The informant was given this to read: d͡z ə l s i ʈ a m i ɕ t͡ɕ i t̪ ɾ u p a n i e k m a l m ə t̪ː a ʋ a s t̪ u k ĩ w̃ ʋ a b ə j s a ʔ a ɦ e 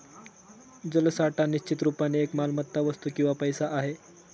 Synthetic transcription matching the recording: d͡z ə l s a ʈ a n i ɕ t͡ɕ i t̪ ɾ u p a n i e k m a l m ə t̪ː a ʋ ə s t̪ u k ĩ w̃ ʋ a p ə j s a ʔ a ɦ e